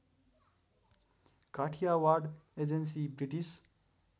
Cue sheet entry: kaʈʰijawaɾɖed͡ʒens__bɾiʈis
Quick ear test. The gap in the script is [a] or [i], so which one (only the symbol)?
i